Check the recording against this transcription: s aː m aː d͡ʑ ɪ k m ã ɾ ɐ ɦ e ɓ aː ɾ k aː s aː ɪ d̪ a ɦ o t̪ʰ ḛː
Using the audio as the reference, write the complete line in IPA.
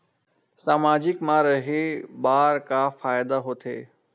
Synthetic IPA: s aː m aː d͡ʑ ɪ k m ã ɾ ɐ ɦ e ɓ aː ɾ k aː f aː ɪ d̪ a ɦ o t̪ʰ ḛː